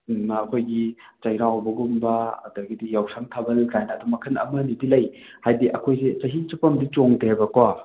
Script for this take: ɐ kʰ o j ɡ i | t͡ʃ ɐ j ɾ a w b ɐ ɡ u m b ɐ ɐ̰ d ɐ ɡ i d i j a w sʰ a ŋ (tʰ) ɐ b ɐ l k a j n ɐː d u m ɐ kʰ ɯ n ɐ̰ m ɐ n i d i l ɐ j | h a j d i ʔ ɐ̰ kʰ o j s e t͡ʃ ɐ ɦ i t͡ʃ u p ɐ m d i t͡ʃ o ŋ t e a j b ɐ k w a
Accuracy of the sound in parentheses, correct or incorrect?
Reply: correct